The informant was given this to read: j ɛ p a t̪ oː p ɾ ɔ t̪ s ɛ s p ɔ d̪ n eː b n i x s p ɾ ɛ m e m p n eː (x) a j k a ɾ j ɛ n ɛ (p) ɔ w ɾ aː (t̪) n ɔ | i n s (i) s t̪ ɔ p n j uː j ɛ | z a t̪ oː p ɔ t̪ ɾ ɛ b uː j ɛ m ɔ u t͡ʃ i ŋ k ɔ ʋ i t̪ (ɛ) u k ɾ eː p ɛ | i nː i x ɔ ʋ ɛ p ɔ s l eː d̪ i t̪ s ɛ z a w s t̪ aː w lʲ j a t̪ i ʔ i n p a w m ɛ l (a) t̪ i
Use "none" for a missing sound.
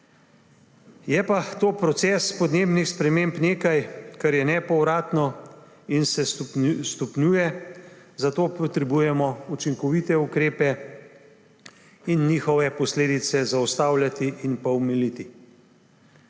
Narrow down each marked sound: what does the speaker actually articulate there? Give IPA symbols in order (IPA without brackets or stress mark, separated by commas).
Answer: k, p, t̪, ɛ, ɛ, i